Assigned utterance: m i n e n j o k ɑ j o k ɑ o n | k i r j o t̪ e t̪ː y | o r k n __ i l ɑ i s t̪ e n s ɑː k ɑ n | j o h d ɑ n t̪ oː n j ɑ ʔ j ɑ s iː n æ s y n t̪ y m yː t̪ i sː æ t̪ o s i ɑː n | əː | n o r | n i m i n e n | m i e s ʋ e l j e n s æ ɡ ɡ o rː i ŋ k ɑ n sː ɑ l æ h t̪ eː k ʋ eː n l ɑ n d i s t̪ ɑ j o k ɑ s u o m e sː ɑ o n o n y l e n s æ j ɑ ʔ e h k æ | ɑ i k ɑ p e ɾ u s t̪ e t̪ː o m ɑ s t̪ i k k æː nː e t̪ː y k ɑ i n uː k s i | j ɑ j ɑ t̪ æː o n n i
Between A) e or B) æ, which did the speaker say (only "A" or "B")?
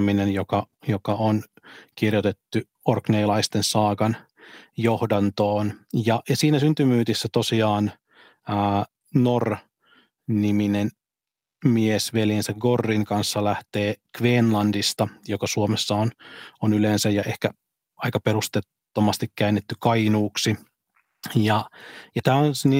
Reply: A